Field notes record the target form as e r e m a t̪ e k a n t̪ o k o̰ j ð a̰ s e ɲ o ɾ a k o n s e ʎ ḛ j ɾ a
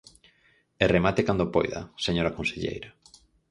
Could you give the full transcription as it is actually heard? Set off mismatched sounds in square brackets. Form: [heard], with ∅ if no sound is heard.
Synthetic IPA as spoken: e r e m a t̪ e k a n [d̪] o [p] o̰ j ð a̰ s e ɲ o ɾ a k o n s e ʎ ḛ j ɾ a

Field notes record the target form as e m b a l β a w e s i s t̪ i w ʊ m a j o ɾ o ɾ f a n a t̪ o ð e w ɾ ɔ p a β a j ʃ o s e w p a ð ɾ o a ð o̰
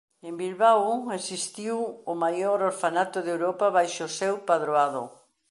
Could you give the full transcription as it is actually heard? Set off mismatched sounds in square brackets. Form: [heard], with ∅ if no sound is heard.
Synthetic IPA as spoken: e m b [i] l β a w e s i s t̪ i w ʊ m a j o ɾ o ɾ f a n a t̪ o ð e w ɾ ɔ p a β a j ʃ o s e w p a ð ɾ o a ð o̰

